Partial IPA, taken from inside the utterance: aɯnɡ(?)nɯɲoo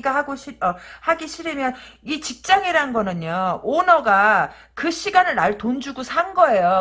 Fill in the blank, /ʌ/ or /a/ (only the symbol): ʌ